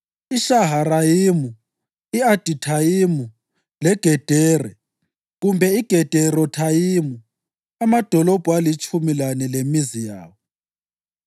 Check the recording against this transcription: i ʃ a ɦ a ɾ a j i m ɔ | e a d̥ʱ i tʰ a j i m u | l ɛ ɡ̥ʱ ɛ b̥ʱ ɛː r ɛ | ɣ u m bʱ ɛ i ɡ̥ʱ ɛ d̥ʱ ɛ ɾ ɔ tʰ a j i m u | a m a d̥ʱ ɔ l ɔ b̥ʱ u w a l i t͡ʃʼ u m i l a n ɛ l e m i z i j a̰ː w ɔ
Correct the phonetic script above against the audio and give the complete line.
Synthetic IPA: i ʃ a ɦ a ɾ a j i m u | i a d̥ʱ i tʰ a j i m u | l ɛ ɡ̥ʱ ɛ d̥ʱ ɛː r ɛ | ɣ u m bʱ ɛ i ɡ̥ʱ ɛ d̥ʱ ɛ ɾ ɔ tʰ a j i m u | a m a d̥ʱ ɔ l ɔ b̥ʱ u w a l i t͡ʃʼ u m i l a n ɛ l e m i z i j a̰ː w ɔ